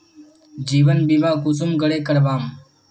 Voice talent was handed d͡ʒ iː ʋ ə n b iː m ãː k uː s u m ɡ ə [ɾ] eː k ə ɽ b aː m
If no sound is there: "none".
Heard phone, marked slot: ɽ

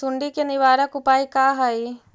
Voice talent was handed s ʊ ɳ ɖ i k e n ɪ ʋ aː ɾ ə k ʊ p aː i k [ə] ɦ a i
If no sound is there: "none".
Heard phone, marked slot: a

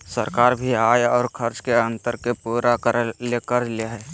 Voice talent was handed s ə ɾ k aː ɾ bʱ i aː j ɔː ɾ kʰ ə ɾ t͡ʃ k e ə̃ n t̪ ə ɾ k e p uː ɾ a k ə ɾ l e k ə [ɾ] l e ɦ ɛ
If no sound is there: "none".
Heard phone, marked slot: ɾ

